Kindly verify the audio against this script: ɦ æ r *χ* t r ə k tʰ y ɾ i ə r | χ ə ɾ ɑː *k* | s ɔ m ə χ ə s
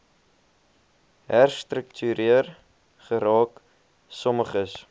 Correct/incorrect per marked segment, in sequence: incorrect: s, correct

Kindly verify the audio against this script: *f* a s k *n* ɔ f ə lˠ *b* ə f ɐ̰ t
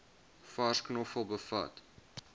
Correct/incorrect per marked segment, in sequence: correct, correct, correct

